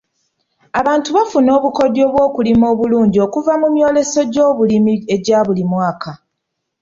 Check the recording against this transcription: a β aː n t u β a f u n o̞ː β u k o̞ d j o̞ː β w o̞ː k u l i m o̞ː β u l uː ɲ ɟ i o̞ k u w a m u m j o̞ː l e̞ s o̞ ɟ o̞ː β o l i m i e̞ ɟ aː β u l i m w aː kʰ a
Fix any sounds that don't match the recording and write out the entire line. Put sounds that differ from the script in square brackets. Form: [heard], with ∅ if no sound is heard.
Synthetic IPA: a β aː n t u β a f u n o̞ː β u k o̞ d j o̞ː β w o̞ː k u l i m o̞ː β u l uː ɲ ɟ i o̞ k u [v] a m u m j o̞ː l e̞ s o̞ ɟ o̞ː β [u] l i m i e̞ ɟ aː β u l i m w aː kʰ a